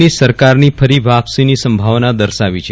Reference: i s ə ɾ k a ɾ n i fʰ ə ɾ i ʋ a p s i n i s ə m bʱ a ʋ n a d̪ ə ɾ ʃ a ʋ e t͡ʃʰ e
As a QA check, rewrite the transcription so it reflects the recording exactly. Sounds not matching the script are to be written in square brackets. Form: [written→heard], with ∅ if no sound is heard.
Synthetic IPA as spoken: i s ə ɾ k a ɾ n i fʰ ə ɾ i ʋ a p s i n i s ə m bʱ a ʋ n a d̪ ə ɾ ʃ a ʋ [e→i] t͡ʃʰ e

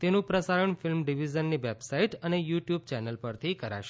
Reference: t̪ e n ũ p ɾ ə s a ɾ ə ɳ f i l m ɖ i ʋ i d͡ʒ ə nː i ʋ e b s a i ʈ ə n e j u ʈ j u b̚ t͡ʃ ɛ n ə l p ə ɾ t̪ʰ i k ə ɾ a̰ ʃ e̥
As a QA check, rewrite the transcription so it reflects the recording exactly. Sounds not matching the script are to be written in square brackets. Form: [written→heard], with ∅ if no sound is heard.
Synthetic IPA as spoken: t̪ e n ũ p ɾ ə s a ɾ ə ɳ f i l m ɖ i ʋ i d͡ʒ ə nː i ʋ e b s a i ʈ ə n e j u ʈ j u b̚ t͡ʃ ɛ n ə l p ə ɾ t̪ʰ i k ə ɾ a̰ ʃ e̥

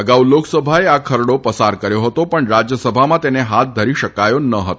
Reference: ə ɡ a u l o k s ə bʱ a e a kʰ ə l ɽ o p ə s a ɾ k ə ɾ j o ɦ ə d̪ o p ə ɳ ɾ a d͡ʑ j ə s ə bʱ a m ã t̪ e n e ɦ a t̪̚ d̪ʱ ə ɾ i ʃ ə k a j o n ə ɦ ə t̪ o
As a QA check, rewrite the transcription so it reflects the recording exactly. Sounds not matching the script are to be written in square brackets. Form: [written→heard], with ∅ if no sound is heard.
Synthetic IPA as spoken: ə ɡ a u l o k s ə bʱ a e a kʰ ə [l→ɾ] ɽ o p ə s a ɾ k ə ɾ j o ɦ ə [d̪→t̪] o p ə ɳ ɾ a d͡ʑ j ə s ə bʱ a m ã t̪ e n e ɦ a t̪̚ d̪ʱ ə ɾ i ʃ ə k a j o n ə ɦ ə t̪ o

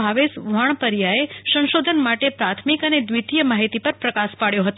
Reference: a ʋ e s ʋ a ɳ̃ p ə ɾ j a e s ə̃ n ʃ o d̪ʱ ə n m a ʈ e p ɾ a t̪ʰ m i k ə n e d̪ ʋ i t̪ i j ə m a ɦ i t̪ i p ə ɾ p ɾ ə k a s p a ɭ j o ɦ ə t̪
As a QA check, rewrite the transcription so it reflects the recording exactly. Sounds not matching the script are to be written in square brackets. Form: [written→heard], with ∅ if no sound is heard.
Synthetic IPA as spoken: a ʋ e s ʋ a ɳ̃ p ə ɾ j a e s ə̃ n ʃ o d̪ʱ ə n m a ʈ e p ɾ a t̪ʰ m i k ə n e d̪ ʋ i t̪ i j ə m a ɦ i t̪ i p ə ɾ p ɾ ə k a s p a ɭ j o ɦ ə t̪

